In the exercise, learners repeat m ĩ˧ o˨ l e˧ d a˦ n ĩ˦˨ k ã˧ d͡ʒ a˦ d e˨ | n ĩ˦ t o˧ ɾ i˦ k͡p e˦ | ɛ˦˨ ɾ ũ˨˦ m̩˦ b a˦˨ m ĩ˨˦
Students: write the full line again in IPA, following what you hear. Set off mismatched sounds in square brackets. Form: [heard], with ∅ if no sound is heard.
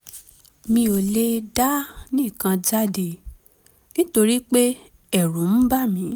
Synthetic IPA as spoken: m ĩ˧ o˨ l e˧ d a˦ n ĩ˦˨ k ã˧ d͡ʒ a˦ d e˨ | n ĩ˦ t o˧ ɾ i˦ k͡p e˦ | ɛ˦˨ ɾ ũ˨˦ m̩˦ b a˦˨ m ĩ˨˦